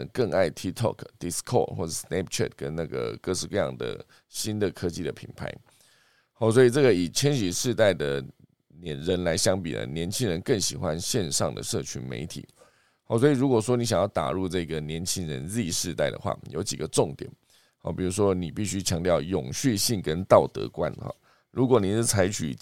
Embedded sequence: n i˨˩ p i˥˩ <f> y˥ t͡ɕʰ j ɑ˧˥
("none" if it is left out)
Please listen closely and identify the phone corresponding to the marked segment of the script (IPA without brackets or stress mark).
ɕ